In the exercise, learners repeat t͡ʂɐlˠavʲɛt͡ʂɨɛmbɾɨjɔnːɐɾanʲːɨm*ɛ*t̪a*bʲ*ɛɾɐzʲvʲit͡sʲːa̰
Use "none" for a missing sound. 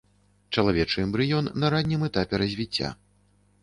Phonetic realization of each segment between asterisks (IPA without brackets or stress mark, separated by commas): ɛ, pʲ